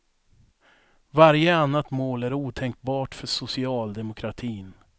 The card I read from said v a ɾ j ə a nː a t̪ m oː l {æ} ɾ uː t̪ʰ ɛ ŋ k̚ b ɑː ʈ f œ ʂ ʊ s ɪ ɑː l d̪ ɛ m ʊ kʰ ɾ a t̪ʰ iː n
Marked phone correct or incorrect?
correct